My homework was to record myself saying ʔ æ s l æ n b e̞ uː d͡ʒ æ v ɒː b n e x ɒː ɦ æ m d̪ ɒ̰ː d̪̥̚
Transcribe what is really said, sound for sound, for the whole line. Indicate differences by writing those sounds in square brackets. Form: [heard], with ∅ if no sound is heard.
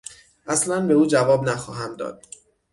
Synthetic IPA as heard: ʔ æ s l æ n b e̞ uː d͡ʒ æ v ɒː b n [æ] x ɒː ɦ æ m d̪ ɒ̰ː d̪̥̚